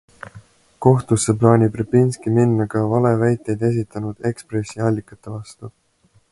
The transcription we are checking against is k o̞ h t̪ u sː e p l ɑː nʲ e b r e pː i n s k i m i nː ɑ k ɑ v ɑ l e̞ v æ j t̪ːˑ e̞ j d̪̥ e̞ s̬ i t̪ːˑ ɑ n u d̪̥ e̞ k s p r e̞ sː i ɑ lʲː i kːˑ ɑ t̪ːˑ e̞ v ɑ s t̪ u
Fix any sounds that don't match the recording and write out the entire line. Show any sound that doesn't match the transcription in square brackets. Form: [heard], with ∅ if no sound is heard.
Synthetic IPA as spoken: k o̞ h t̪ u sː e p l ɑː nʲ [i] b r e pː i n s k i m i nː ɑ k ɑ v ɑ l e̞ v æ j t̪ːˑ e̞ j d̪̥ e̞ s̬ i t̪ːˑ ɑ n u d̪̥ e̞ k s p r e̞ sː i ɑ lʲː i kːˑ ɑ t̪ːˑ e̞ v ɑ s t̪ u